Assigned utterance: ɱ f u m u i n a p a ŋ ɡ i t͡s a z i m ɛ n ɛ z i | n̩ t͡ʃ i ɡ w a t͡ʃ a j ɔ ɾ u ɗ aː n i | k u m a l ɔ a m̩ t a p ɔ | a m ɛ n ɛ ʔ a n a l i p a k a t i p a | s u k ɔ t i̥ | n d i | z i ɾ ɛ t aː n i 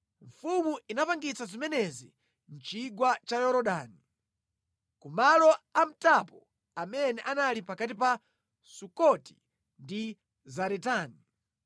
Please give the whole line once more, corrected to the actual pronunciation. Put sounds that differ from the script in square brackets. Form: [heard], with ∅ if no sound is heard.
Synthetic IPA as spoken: ɱ f u m u i n a p a ŋ ɡ i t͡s a z i m ɛ n ɛ z i | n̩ t͡ʃ i ɡ w a t͡ʃ a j ɔ ɾ [ɔ] ɗ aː n i | k u m a l ɔ a m̩ t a p ɔ | a m ɛ n ɛ ʔ a n a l i p a k a t i p a | s u k ɔ t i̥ | n d i | z [a] ɾ ɛ t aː n i